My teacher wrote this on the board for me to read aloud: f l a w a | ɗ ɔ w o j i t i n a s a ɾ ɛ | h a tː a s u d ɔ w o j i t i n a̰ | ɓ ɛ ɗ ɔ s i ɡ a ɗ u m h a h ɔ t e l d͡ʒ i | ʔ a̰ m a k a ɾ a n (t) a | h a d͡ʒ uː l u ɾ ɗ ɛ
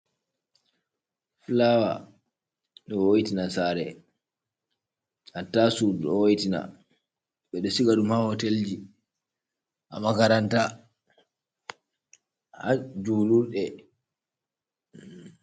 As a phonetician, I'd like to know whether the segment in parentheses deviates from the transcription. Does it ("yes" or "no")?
no